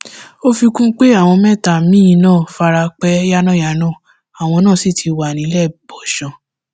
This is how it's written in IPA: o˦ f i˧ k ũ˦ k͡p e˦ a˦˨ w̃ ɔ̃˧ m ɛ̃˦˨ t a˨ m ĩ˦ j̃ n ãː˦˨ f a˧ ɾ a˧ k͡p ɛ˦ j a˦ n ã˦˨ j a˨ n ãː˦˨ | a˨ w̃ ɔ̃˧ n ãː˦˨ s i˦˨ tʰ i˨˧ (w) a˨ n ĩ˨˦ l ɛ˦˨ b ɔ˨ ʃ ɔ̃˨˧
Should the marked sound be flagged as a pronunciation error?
no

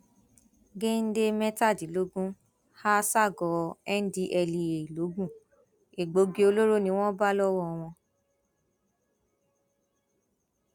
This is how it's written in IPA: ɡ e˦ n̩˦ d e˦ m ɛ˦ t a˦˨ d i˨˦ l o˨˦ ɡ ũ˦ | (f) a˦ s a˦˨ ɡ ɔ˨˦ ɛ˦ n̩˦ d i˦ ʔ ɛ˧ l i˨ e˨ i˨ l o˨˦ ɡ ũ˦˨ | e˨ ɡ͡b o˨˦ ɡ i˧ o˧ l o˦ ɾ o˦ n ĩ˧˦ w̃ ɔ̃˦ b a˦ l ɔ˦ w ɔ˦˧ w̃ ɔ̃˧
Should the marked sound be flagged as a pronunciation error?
yes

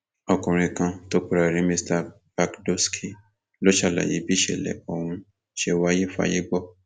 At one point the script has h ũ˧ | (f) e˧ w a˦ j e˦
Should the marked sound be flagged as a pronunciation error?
yes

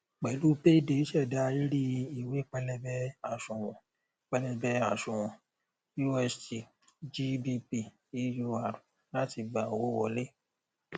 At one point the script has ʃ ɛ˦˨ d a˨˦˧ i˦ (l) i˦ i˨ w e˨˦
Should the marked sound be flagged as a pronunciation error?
yes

